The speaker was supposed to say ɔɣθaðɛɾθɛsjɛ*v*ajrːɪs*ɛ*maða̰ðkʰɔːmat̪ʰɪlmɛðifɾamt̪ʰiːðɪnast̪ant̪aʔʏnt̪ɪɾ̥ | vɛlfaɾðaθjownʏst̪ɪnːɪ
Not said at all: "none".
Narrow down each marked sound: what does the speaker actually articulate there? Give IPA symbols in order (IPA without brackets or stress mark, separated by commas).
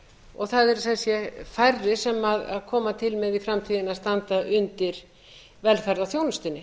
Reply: f, ɛ